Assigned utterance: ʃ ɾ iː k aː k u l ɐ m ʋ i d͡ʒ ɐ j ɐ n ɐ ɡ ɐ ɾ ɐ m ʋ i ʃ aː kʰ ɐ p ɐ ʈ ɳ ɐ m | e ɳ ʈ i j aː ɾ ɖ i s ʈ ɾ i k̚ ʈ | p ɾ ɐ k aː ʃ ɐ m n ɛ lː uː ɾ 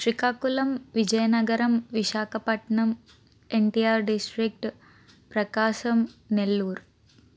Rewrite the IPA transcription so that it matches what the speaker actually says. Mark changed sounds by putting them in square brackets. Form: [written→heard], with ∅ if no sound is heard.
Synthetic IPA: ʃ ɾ [iː→i] k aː k u l ɐ m ʋ i d͡ʒ ɐ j ɐ n ɐ ɡ ɐ ɾ ɐ m ʋ i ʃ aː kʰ ɐ p ɐ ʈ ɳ ɐ m | e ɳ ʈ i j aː ɾ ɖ i s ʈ ɾ i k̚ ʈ | p ɾ ɐ k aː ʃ ɐ m n [ɛ→e] lː uː ɾ